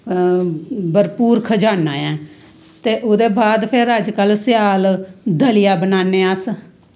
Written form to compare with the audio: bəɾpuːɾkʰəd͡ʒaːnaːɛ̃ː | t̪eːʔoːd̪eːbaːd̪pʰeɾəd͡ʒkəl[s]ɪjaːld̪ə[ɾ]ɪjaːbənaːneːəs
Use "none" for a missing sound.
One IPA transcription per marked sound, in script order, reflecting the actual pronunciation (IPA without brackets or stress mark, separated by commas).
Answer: s, l